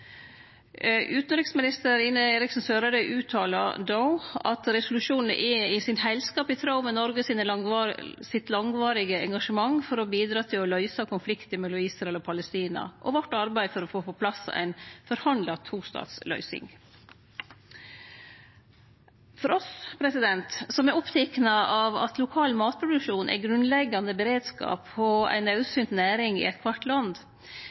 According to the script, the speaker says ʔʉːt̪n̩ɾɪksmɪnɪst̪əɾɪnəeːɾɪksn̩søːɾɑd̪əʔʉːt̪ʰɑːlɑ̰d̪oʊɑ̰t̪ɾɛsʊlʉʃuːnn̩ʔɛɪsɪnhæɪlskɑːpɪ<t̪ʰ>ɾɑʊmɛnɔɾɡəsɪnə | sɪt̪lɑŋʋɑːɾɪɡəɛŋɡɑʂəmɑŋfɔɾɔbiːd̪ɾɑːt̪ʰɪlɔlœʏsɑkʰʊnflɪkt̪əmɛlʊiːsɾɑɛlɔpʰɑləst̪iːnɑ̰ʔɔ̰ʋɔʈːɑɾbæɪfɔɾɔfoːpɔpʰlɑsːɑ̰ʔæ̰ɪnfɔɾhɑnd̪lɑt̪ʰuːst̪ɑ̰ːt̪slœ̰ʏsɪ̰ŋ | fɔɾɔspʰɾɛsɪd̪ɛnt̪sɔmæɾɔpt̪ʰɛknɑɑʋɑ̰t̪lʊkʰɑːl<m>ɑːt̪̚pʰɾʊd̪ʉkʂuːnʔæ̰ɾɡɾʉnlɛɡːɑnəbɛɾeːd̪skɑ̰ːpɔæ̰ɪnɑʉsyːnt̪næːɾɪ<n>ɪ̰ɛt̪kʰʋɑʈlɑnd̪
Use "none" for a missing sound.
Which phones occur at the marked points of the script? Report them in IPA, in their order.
t̪ʰ, m, ŋ

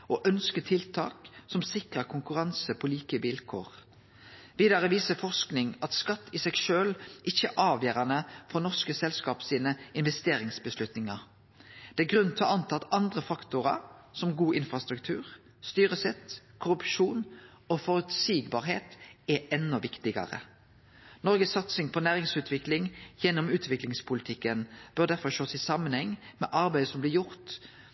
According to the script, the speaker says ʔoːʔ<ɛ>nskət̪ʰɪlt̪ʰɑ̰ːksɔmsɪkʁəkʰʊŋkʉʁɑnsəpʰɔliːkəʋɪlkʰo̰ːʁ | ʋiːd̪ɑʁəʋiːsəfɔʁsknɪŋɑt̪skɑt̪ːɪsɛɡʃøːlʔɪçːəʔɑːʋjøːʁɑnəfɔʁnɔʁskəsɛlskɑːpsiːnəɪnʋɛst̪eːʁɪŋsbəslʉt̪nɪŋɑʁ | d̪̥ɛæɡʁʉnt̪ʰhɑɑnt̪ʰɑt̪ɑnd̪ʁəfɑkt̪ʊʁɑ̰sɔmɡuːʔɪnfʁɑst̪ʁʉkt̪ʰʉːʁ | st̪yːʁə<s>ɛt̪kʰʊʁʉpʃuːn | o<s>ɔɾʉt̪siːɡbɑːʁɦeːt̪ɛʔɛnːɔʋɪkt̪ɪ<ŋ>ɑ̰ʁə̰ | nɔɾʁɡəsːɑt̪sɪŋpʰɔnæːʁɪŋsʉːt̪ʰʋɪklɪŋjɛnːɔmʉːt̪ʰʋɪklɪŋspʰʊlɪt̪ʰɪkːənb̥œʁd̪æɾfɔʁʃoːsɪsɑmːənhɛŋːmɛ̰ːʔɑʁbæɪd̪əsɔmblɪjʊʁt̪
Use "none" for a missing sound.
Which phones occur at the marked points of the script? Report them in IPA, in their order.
œ, s, f, ɡ

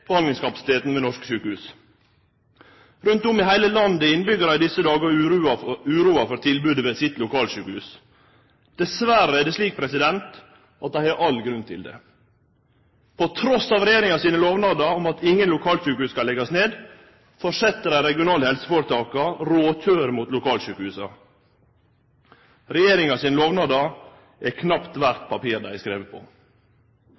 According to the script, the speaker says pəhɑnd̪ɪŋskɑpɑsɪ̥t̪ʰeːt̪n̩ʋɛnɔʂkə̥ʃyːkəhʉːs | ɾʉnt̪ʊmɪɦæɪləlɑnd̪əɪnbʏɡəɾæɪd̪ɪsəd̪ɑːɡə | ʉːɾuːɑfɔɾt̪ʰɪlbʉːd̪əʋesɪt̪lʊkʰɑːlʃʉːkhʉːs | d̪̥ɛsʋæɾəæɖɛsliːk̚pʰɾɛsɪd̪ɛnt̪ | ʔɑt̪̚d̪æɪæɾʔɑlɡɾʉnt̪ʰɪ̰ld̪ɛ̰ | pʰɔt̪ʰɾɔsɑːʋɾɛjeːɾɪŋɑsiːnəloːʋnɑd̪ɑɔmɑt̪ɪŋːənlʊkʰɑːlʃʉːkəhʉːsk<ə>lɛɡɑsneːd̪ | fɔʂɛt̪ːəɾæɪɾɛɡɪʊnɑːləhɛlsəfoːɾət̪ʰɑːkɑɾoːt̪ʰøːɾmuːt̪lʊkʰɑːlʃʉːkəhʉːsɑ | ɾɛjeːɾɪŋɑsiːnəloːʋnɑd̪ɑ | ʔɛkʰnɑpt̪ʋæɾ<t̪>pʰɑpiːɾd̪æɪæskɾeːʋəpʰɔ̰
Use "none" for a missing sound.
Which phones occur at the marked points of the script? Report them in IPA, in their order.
ɑ, t̪

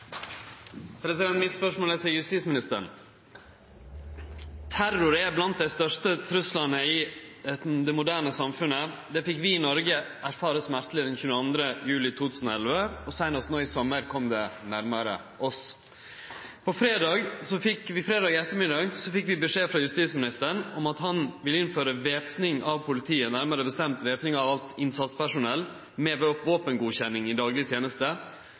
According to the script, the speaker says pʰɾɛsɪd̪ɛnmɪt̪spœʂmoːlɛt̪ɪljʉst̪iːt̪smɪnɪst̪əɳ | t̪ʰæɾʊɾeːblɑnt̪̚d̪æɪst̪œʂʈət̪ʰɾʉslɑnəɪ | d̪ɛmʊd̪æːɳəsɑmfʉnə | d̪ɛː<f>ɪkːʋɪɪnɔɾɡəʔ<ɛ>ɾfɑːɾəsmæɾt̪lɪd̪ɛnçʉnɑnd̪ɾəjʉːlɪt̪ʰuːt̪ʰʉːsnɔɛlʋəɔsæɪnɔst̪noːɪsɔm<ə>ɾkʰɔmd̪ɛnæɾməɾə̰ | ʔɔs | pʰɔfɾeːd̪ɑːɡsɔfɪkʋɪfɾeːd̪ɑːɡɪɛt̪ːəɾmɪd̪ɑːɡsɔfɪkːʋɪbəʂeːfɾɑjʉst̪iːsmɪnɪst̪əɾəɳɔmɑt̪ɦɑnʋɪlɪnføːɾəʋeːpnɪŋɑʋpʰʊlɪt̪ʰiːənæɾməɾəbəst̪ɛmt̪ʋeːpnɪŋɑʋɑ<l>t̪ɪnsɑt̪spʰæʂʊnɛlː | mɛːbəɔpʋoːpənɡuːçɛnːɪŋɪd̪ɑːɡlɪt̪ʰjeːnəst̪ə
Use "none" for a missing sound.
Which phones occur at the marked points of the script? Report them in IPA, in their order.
f, æ, ə, l

